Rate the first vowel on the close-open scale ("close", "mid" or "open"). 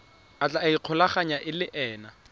open